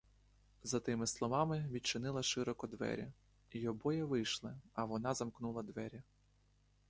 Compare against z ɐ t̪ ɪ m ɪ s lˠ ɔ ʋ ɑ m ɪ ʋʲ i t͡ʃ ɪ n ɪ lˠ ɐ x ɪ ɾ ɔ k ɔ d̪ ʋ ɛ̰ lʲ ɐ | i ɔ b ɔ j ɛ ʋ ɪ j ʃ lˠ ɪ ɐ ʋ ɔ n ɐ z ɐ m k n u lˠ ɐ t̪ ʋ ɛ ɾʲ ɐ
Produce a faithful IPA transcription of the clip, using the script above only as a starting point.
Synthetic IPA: z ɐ t̪ ɪ m ɪ s lˠ ɔ ʋ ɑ m ɪ ʋʲ i t͡ʃ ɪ n ɪ lˠ ɐ ʃ ɪ ɾ ɔ k ɔ d̪ ʋ ɛ̰ ɾʲ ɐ | i ɔ b ɔ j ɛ ʋ ɪ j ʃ lˠ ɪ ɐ ʋ ɔ n ɑ z ɐ m k n u lˠ ɐ d̪ ʋ ɛ ɾʲ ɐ